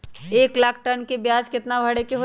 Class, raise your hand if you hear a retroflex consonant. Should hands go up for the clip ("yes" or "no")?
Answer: yes